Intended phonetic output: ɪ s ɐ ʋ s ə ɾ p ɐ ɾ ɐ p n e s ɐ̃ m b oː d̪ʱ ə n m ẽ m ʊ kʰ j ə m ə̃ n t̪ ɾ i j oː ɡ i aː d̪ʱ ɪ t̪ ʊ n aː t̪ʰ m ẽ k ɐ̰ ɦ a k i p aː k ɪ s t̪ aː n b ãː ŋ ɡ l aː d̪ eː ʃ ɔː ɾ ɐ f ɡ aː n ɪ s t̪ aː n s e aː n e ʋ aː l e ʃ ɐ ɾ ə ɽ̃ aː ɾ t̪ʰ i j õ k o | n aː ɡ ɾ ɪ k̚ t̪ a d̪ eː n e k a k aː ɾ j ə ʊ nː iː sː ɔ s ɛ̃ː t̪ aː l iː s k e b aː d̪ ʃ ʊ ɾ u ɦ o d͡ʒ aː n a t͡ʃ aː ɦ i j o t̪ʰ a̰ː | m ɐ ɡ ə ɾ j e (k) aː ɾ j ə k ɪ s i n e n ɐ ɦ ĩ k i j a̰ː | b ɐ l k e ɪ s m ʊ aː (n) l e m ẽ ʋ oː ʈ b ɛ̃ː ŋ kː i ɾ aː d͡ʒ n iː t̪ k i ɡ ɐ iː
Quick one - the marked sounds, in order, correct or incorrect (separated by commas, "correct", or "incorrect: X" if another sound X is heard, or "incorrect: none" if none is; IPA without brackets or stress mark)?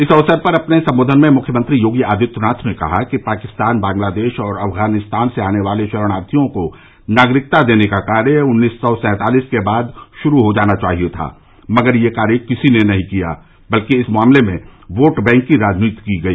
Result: correct, incorrect: m